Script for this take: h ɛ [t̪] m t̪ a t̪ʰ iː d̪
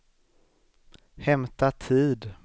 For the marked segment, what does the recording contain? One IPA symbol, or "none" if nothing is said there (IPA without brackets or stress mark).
none